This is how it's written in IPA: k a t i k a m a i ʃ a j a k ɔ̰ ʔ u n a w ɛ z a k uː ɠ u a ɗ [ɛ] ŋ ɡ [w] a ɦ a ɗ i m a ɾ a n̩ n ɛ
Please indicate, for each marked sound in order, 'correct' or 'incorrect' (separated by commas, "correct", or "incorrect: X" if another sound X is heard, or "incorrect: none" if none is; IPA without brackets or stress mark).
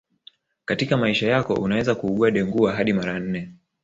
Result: correct, incorrect: u